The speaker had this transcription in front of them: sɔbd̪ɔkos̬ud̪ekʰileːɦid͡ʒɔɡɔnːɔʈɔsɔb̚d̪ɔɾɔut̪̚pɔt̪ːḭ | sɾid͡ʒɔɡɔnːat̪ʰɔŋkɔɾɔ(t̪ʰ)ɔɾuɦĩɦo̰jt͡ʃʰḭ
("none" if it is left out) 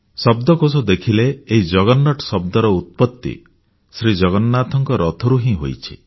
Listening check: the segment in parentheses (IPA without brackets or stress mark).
t̪ʰ